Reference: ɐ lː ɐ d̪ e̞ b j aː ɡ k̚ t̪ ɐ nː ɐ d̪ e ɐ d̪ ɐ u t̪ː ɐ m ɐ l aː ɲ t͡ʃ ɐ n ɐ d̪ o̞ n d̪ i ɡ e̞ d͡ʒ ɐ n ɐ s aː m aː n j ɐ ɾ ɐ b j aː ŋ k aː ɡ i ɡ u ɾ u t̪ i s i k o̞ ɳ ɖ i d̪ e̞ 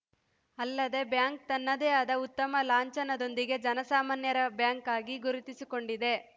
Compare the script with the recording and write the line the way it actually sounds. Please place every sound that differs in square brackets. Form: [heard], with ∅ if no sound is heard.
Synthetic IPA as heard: ɐ lː ɐ d̪ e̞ b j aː [ŋ] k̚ t̪ ɐ nː ɐ d̪ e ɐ d̪ ɐ u t̪ː ɐ m ɐ l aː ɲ t͡ʃ ɐ n ɐ d̪ o̞ n d̪ i ɡ e̞ d͡ʒ ɐ n ɐ s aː m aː n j ɐ ɾ ɐ b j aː ŋ k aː ɡ i ɡ u ɾ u t̪ i s i k o̞ ɳ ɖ i d̪ e̞